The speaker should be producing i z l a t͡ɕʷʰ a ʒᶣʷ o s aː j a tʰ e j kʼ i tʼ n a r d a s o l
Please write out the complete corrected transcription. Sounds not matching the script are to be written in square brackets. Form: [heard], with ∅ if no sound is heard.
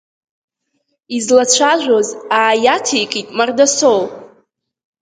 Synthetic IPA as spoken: i z l a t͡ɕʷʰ a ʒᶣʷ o [z] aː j a tʰ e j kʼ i tʼ [m] a r d a s o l